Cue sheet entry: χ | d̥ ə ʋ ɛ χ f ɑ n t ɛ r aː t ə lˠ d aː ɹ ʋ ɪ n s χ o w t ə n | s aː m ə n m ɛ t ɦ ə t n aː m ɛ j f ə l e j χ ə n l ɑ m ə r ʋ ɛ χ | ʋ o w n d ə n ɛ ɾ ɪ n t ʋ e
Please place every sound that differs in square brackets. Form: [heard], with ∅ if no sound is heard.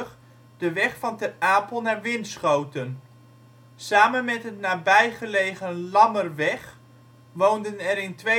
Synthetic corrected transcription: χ | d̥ ə ʋ ɛ χ f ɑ n t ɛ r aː [p] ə lˠ [n] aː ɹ ʋ ɪ n s χ o w t ə n | s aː m ə n m ɛ t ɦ ə t n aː [b] ɛ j [χ] ə l e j χ ə n l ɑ m ə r ʋ ɛ χ | ʋ o w n d ə n ɛ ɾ ɪ n t ʋ e